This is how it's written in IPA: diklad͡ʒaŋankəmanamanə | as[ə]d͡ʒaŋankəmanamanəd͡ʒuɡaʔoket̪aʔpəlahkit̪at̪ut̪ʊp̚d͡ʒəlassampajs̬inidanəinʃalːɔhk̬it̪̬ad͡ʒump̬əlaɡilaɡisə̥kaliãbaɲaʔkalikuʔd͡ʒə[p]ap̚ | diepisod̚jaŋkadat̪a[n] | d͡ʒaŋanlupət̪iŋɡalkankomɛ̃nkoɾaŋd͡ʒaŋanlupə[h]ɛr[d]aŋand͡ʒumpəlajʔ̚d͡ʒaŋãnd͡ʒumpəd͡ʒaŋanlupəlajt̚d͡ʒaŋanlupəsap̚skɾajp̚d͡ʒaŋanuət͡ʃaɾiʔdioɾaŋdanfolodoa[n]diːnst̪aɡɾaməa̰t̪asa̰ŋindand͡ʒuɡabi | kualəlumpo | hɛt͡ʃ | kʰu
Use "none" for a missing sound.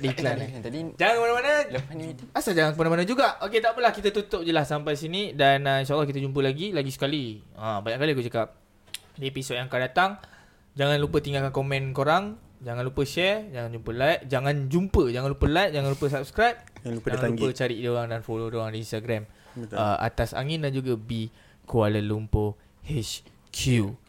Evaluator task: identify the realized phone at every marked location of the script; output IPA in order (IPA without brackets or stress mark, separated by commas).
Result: a, k, ŋ, ʃ, d͡ʒ, ŋ